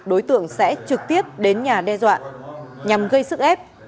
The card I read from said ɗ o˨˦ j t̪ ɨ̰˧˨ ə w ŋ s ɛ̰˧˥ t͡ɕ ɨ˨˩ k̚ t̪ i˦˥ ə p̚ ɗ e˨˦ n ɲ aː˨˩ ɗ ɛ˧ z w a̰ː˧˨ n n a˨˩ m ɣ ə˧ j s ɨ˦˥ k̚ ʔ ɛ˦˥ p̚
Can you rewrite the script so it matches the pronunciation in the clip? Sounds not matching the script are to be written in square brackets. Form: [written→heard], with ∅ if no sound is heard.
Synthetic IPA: ɗ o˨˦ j t̪ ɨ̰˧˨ ə [w→∅] ŋ s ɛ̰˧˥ t͡ɕ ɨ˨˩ k̚ t̪ i˦˥ ə p̚ ɗ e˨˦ n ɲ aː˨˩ ɗ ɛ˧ z w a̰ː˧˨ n [n→ɲ] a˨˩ m ɣ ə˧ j s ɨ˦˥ k̚ ʔ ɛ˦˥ p̚